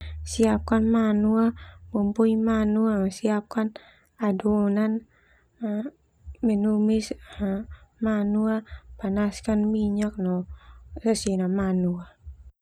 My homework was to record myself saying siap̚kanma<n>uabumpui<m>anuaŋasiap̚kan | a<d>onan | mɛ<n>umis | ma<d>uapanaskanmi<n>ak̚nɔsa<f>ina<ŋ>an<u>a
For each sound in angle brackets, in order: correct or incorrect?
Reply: correct, correct, correct, correct, incorrect: n, incorrect: ɲ, incorrect: s, incorrect: m, correct

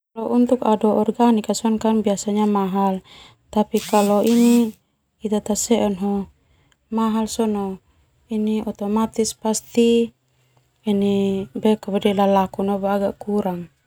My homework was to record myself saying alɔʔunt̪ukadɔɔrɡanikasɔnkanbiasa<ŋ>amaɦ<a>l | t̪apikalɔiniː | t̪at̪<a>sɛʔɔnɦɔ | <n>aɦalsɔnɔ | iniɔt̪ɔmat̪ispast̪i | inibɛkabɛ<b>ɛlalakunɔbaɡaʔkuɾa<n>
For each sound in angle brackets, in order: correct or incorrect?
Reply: incorrect: ɲ, correct, correct, incorrect: m, incorrect: d, incorrect: ŋ

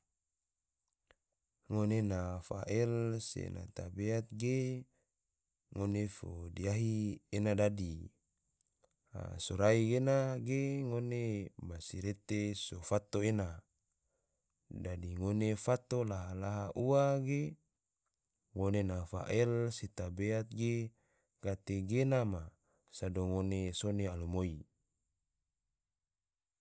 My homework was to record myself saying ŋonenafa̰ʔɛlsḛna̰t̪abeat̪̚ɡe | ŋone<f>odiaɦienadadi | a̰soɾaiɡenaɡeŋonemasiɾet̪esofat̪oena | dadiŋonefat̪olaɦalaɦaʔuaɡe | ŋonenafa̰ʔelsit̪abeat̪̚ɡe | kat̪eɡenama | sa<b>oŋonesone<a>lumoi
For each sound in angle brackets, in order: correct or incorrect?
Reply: correct, incorrect: d, correct

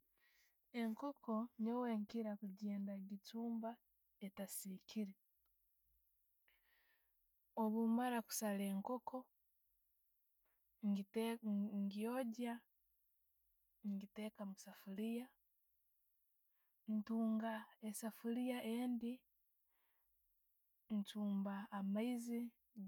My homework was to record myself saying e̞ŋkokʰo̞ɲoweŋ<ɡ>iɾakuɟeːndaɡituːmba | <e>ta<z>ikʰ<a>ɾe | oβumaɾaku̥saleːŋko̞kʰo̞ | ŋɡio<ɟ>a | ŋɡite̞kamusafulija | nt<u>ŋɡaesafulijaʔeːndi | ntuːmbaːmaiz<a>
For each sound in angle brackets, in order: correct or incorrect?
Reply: incorrect: k, correct, incorrect: s, incorrect: i, correct, incorrect: uː, incorrect: i

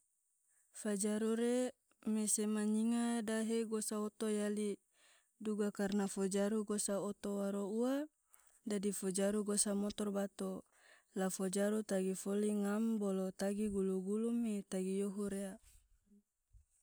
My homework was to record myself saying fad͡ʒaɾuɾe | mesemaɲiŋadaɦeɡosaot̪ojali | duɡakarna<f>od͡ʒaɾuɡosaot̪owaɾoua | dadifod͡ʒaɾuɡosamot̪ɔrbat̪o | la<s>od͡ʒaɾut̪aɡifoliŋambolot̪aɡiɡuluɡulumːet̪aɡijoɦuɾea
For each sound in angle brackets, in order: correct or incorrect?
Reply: correct, incorrect: f

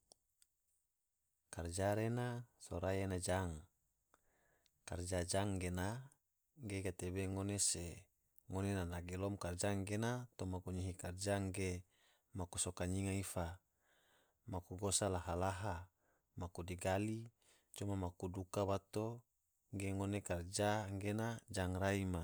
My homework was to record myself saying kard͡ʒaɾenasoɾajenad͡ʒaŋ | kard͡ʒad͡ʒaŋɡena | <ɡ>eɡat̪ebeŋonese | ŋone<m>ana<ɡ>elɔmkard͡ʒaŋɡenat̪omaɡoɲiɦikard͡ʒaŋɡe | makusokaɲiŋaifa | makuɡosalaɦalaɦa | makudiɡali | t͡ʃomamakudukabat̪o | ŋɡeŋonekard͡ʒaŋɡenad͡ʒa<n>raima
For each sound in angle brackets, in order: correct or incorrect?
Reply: correct, incorrect: n, correct, incorrect: ŋ

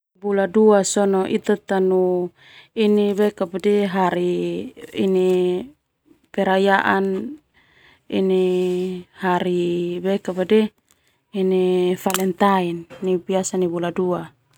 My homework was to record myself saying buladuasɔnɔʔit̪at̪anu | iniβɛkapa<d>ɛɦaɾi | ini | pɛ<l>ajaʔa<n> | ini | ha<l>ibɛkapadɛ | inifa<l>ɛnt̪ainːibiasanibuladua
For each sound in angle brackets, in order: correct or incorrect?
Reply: correct, incorrect: ɾ, correct, incorrect: ɾ, correct

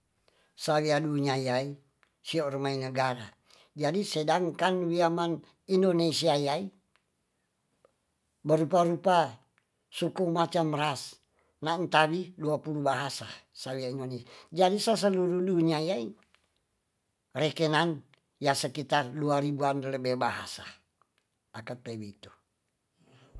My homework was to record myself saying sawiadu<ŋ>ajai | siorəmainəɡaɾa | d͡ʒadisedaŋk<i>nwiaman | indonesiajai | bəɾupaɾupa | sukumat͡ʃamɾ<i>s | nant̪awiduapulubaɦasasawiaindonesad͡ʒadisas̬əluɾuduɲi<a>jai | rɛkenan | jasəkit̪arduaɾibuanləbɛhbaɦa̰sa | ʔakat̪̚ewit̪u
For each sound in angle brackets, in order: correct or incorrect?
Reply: incorrect: ɲ, incorrect: a, incorrect: a, correct

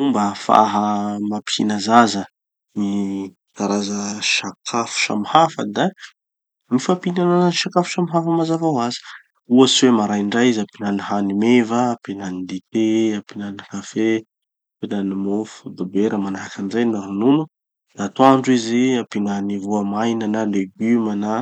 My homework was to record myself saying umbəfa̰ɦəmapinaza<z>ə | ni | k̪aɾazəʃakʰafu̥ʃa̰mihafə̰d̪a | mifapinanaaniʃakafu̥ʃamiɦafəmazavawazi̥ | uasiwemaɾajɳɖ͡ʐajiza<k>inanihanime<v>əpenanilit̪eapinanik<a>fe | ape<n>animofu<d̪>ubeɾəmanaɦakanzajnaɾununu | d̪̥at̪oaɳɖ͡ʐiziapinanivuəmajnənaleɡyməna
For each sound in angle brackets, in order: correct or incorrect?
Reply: correct, incorrect: p, correct, correct, correct, correct

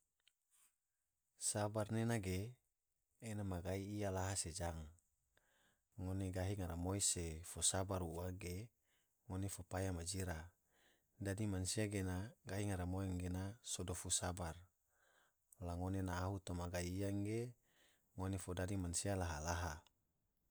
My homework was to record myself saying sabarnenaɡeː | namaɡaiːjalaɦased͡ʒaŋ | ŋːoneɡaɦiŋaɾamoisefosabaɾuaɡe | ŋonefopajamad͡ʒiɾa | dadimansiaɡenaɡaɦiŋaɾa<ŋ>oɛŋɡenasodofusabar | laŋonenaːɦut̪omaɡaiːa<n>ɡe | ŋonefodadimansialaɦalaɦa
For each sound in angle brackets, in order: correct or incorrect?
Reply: incorrect: m, incorrect: ŋ

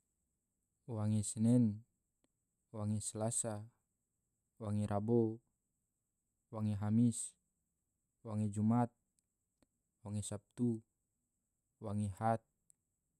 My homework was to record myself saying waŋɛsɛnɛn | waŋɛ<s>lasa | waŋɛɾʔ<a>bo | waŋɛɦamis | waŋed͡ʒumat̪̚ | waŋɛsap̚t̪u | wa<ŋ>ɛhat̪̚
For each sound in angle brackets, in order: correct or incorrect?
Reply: correct, correct, correct

